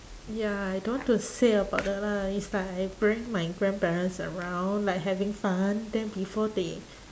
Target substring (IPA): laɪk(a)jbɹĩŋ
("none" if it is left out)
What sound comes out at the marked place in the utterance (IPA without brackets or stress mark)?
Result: a